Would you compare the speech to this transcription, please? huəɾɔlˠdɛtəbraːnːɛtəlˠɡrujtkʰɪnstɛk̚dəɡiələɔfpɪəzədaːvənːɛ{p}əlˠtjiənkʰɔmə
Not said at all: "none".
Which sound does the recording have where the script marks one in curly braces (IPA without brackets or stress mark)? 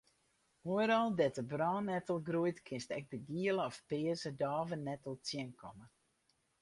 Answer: t